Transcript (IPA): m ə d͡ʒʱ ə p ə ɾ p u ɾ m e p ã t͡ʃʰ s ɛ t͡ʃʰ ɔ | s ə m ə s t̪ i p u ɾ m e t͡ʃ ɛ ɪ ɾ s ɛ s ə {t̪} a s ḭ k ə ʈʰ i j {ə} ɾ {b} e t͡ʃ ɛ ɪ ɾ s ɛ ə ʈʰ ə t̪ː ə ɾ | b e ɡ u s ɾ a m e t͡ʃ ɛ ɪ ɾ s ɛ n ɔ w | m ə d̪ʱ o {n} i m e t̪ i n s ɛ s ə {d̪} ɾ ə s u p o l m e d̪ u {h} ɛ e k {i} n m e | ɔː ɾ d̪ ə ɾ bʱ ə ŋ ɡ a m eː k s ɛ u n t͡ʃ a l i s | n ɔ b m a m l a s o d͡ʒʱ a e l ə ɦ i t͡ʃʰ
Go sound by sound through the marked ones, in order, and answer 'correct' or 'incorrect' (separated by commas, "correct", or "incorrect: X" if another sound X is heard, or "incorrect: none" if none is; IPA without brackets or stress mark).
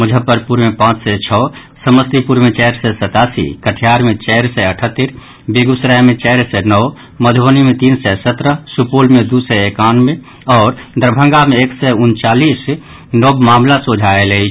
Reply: correct, incorrect: a, incorrect: m, correct, incorrect: t̪, incorrect: s, incorrect: a